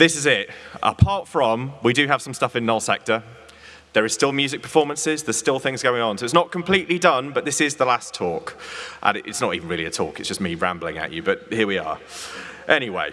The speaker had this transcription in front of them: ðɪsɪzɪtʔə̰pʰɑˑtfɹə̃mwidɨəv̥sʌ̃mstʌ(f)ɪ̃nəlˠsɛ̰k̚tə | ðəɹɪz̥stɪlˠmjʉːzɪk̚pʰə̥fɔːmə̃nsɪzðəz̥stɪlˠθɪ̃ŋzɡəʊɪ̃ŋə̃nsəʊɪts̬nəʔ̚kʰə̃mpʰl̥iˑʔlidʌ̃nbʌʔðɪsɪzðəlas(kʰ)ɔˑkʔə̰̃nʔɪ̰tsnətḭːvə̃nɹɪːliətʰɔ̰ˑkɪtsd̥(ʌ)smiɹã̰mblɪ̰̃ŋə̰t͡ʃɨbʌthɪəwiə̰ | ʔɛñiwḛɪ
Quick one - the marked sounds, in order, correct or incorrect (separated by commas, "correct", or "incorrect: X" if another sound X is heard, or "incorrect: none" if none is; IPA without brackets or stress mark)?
correct, incorrect: tʰ, correct